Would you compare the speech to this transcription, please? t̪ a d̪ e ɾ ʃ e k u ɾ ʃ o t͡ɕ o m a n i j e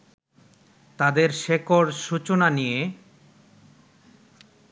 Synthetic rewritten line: t̪ a d̪ e ɾ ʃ e k o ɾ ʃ u t͡ɕ o n a n i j e